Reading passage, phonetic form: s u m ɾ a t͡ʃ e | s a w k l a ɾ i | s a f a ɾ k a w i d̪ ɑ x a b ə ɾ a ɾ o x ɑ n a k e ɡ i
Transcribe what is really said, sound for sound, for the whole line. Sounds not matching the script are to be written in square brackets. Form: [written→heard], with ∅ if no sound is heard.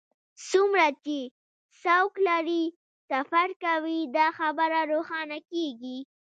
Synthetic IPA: s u m ɾ a t͡ʃ e | s a w k l a ɾ i | s a f a ɾ k a w i d̪ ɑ x a b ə ɾ a ɾ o x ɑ n a k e ɡ i